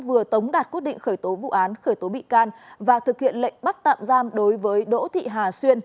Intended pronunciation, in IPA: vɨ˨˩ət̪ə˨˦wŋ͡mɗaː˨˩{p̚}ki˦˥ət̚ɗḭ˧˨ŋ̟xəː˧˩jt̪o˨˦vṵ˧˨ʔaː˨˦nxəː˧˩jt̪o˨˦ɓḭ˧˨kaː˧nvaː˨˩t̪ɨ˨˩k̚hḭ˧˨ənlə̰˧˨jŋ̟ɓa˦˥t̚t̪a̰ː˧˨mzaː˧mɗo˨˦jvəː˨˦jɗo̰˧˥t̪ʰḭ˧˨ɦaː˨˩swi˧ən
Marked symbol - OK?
no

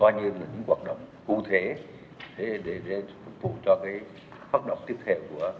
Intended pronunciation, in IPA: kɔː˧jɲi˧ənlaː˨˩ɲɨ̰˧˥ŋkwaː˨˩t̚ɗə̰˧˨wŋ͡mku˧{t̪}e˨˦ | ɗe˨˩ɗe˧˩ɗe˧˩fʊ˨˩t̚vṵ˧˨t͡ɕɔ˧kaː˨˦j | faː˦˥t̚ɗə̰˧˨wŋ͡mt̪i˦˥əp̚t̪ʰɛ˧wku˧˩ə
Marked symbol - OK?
no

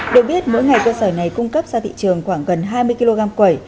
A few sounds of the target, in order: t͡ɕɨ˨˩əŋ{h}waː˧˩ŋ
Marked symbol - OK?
no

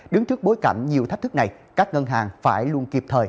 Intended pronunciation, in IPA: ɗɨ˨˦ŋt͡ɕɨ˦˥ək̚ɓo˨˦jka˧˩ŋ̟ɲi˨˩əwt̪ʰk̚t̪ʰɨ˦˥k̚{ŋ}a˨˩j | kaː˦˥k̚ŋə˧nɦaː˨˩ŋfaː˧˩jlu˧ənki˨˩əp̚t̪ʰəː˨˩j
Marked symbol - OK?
no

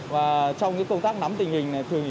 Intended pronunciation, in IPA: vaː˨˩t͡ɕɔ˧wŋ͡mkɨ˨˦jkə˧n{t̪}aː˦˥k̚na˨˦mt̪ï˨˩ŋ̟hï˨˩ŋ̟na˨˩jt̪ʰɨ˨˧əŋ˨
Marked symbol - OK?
yes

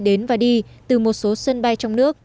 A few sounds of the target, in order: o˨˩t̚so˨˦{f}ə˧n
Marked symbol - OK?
no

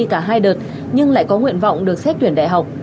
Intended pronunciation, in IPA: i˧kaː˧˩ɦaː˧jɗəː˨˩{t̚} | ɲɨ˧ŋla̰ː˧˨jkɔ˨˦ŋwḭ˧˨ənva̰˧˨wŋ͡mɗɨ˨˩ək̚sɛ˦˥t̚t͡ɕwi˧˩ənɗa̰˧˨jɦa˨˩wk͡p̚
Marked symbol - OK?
yes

